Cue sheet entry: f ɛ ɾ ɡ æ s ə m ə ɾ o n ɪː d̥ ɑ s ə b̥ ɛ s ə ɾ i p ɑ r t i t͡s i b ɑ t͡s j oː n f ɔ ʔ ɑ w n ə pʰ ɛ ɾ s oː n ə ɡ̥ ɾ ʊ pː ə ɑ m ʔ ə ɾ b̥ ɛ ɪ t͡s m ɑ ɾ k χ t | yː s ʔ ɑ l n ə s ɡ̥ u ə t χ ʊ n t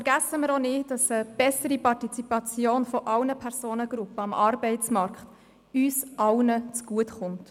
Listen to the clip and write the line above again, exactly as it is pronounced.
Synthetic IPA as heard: f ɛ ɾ ɡ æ s ə m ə ɾ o n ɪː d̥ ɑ s ə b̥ ɛ s ə ɾ i p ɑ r t i t͡s i p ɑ t͡s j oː n f ɔ ʔ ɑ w n ə pʰ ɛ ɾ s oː n ə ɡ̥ ɾ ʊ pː ə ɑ m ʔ ɑ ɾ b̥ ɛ ɪ t͡s m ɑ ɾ k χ t | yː s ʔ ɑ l n ə t͡s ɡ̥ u ə t χ ʊ n t